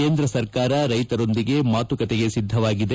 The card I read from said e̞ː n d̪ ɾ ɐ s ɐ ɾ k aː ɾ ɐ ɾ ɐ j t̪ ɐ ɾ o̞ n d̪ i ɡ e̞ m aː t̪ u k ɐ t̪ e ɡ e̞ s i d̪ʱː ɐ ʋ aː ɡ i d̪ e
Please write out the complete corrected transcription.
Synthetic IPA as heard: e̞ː n d̪ ɾ ɐ s ɐ ɾ k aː ɾ ɐ ɾ ɐ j t̪ ɐ ɾ o̞ n d̪ i ɡ e̞ m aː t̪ u k ɐ t̪ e ɡ e̞ s i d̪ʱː ɐ ʋ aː ɡ i d̪ e